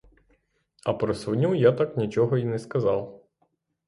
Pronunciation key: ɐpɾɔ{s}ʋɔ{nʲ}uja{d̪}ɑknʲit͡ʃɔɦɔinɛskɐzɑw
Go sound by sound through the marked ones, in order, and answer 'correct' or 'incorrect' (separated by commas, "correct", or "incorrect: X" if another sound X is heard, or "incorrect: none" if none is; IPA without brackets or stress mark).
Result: correct, correct, incorrect: t̪